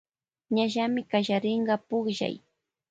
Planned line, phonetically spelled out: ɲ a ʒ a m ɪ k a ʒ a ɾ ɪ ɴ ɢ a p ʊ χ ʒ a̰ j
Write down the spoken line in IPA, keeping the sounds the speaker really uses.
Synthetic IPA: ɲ a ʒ a m ɪ k a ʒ a ɾ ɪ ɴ ɢ ɑ p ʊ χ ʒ a̰ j

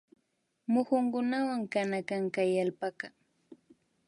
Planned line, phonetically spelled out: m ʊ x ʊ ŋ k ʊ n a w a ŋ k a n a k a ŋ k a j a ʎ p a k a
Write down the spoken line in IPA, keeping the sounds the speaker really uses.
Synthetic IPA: m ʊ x ʊ ŋ k ʊ n a w a ŋ k a n a k a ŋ k a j a l p a k a

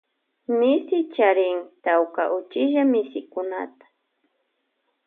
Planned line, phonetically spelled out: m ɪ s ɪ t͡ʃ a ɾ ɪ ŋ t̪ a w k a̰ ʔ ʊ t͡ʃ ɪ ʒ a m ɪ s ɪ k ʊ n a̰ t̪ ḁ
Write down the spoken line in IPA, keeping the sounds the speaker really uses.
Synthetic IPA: m ɪ s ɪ t͡ʃ a ɾ ɪ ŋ t̪ a w k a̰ ʔ ʊ t͡ʃ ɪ ʒ a m ɪ s ɪ k ʊ n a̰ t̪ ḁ

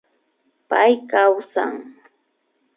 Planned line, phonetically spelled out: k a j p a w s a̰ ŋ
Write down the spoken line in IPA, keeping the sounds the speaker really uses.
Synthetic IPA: p a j k a w s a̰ ŋ

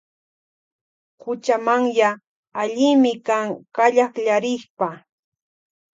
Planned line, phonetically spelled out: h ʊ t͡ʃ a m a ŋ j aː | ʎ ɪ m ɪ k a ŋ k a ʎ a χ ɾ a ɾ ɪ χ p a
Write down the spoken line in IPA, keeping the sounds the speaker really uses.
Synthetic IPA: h ʊ t͡ʃ a m a ŋ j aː | ʎ ɪ m ɪ k a ŋ k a ʎ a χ ʎ a ɾ ɪ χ p a

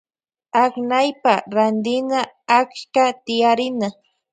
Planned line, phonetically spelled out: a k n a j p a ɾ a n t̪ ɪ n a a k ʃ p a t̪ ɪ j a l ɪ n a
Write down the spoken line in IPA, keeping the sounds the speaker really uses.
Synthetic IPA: a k n a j p a ɾ a n d̪ ɪ n a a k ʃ k a t̪ ɪ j a ɾ ɪ n a

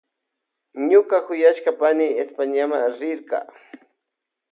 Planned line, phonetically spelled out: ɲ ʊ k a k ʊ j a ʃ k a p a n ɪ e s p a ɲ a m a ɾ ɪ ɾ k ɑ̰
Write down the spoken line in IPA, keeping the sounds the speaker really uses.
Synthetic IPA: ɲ ʊ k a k ʊ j a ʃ k a p a n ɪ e s p a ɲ a m a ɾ ɪ ɾ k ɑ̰

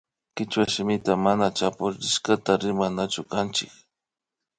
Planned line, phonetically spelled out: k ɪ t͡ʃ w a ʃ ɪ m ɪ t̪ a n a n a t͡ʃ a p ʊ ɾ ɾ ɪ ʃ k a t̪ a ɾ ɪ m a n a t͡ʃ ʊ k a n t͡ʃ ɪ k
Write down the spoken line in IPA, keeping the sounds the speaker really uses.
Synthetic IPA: k ɪ t͡ʃ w a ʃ ɪ m ɪ t̪ a m a n a t͡ʃ a p ʊ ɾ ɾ ɪ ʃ k a t̪ a ɾ ɪ m a n a t͡ʃ ʊ k a n t͡ʃ ɪ k

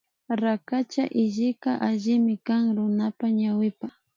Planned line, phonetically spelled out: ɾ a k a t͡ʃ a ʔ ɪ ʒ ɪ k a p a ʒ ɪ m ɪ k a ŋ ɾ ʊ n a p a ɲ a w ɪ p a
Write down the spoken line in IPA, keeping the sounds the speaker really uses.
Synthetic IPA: ɾ a k a t͡ʃ a ʔ ɪ ʒ ɪ k a ʔ a ʒ ɪ m ɪ k a ŋ ɾ ʊ n a p a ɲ a w ɪ p a

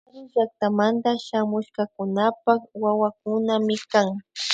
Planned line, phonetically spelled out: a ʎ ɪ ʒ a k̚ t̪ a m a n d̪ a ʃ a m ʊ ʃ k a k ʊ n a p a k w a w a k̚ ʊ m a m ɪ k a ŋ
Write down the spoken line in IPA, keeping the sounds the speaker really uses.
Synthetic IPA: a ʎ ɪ ʒ a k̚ t̪ a m a n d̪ a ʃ a m ʊ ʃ k a k ʊ n a p a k w a w a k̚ ʊ n a m ɪ k a ŋ

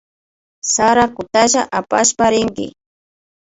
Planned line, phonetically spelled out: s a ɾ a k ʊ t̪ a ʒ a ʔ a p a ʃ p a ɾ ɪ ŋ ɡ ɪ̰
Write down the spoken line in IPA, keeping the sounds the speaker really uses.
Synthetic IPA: s a ɾ a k ʊ t̪ a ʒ a ʔ a p a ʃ p a ɾ ɪ ŋ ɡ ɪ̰

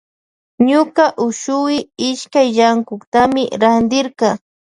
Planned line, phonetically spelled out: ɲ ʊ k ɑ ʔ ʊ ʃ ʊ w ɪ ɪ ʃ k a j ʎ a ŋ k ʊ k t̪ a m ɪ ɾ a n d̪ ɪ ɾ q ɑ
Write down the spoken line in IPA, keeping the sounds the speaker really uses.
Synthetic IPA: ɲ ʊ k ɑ ʔ ʊ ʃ ʊ w ɪ ɪ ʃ k a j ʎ a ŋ k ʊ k t̪ a m ɪ ɾ a n d̪ ɪ ɾ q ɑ

